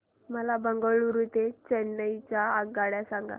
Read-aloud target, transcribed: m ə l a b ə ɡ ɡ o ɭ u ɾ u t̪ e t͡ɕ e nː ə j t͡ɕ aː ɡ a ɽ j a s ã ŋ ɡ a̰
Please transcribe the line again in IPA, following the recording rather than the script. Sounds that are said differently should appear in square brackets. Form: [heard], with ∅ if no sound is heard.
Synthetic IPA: m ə l a b ə [ŋ] ɡ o ɭ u ɾ u t̪ e t͡ɕ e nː ə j t͡ɕ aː ɡ a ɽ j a s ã ŋ ɡ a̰